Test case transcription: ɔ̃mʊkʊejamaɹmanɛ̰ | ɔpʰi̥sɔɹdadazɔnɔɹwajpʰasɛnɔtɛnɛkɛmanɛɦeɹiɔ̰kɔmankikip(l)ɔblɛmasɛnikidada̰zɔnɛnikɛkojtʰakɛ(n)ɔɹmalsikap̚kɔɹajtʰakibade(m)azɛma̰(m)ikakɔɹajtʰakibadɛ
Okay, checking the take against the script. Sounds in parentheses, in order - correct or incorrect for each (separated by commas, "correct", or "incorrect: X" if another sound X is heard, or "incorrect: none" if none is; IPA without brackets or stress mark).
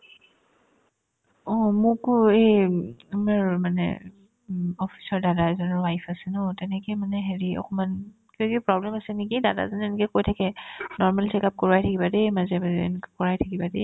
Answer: incorrect: ɹ, correct, correct, incorrect: n